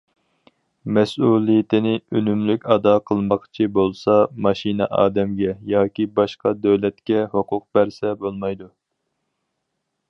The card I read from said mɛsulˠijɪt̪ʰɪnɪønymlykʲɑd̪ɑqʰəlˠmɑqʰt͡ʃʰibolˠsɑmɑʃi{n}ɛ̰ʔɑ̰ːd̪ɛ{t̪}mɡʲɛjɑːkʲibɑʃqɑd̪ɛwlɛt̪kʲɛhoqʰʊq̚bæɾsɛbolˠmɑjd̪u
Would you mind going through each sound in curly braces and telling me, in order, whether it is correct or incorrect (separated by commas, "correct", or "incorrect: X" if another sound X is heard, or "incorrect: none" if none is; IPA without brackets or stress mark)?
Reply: correct, incorrect: none